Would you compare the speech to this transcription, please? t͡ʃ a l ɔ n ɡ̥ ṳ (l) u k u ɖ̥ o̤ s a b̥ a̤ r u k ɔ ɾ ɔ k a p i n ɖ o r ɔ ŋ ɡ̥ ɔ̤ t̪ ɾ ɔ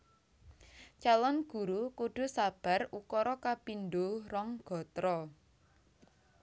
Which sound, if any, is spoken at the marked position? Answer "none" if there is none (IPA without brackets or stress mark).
ɾ